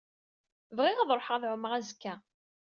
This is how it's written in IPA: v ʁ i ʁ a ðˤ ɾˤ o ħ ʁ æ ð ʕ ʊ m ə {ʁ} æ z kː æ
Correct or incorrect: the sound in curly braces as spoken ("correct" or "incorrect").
correct